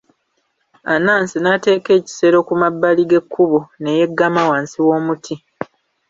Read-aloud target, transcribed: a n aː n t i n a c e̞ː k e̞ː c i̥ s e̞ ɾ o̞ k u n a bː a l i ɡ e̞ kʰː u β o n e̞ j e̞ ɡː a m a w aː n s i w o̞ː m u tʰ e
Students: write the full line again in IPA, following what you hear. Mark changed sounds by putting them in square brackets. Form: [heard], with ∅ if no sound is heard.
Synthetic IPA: a n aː n [s] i n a [t] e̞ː k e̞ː c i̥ s e̞ ɾ o̞ k u [m] a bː a l i ɡ e̞ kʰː u β o n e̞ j e̞ ɡː a m a w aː n s i w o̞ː m u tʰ [i]